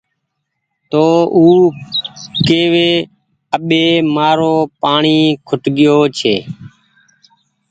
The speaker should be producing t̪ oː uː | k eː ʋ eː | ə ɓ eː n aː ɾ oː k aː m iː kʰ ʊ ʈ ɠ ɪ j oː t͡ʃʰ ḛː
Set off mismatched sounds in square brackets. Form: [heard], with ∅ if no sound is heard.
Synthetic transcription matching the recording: t̪ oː uː | k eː ʋ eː | ə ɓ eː [m] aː ɾ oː [p] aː [ɳ] iː kʰ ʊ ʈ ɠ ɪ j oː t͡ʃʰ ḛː